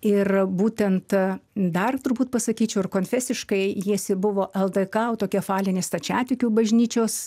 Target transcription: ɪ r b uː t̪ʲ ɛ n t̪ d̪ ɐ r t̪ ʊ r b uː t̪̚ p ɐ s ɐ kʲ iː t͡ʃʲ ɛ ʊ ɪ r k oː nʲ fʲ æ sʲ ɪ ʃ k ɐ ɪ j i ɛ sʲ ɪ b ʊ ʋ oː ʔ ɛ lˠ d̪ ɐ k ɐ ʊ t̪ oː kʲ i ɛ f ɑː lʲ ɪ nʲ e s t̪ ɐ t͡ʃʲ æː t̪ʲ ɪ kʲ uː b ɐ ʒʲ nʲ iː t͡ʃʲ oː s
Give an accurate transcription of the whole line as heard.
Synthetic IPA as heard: ɪ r b uː t̪ʲ ɛ n t̪ d̪ ɐ r t̪ ʊ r b uː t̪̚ p ɐ s ɐ kʲ iː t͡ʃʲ ɛ ʊ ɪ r k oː nʲ fʲ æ sʲ ɪ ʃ k ɐ ɪ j i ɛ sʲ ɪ b ʊ ʋ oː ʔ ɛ lˠ d̪ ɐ k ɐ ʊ t̪ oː kʲ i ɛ f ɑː lʲ ɪ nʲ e s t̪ ɐ t͡ʃʲ æː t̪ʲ ɪ kʲ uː b ɐ ʒʲ nʲ iː t͡ʃʲ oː s